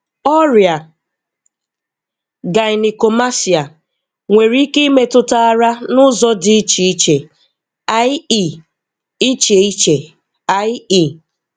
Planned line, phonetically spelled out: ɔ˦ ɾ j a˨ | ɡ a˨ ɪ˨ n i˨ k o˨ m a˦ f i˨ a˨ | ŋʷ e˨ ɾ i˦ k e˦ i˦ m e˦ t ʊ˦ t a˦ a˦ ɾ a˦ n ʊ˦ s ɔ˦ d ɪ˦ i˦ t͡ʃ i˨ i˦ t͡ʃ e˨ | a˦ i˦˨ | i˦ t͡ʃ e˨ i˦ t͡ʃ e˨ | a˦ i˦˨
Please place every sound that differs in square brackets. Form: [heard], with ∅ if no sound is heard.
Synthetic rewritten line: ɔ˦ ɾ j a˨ | ɡ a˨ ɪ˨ n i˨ k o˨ m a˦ [s] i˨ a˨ | ŋʷ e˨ ɾ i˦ k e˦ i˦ m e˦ t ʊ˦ t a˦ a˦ ɾ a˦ n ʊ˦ [z] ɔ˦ d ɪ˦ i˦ t͡ʃ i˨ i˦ t͡ʃ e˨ | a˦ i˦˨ | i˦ t͡ʃ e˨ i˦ t͡ʃ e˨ | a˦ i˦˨